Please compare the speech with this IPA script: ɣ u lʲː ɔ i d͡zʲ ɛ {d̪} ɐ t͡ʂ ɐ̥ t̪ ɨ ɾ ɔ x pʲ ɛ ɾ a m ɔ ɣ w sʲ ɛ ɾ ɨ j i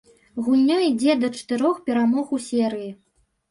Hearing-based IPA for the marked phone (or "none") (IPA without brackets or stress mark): d̪